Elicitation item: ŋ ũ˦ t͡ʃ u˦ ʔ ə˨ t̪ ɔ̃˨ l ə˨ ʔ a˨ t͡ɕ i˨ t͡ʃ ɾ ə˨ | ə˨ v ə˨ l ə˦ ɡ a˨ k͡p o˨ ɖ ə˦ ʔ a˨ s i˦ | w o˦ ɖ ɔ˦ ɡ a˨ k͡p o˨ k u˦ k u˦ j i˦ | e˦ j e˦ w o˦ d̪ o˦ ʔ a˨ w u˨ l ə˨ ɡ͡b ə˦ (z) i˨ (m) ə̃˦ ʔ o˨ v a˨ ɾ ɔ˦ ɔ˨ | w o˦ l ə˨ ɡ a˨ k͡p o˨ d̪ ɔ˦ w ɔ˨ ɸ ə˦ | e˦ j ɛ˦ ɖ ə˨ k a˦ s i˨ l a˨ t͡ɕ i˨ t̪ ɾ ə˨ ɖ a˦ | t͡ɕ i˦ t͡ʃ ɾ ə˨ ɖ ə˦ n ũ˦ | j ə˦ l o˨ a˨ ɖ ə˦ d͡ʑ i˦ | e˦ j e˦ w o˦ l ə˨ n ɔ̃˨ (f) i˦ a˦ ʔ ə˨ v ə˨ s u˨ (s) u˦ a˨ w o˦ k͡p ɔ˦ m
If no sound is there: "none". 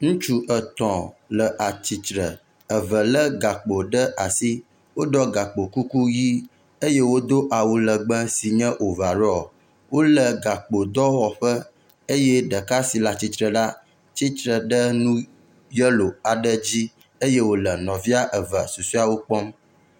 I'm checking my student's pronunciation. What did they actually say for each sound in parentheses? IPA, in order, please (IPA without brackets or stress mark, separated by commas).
s, ɲ, v, s